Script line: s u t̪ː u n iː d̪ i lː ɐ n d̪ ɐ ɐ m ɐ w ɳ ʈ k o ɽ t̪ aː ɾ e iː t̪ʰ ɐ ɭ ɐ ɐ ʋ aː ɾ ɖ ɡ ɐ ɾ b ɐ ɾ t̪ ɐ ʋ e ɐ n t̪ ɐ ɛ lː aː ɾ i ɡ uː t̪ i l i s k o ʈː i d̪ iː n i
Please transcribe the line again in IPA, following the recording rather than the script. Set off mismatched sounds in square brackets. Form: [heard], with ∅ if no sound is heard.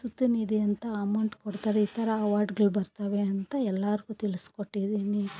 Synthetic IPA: s u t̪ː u n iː d̪ i [∅] ɐ n [t̪] ɐ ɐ m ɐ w ɳ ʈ k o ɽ t̪ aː ɾ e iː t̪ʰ ɐ [ɾ] ɐ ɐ ʋ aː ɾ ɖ ɡ ɐ [ɭ] b ɐ ɾ t̪ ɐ ʋ e ɐ n t̪ ɐ ɛ lː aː ɾ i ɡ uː t̪ i l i s k o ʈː i d̪ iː n i